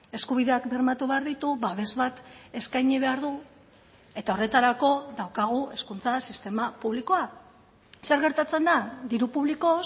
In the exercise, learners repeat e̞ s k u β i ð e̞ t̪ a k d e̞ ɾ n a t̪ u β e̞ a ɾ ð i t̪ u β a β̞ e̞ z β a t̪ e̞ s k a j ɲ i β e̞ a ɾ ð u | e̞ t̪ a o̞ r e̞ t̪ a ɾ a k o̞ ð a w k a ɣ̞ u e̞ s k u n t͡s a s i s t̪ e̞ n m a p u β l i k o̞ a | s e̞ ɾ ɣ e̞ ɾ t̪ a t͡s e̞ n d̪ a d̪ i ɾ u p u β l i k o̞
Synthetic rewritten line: e̞ s k u β i ð e̞ a k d e̞ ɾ m a t̪ u β e̞ a ɾ ð i t̪ u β a β̞ e̞ z β a t̪ e̞ s k a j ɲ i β e̞ a ɾ ð u | e̞ t̪ a o̞ r e̞ t̪ a ɾ a k o̞ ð a w k a ɣ̞ u e̞ s k u n t͡s a s i s t̪ e̞ m a p u β l i k o̞ a | s e̞ ɾ ɣ e̞ ɾ t̪ a t͡s e̞ n d̪ a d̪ i ɾ u p u β l i k o̞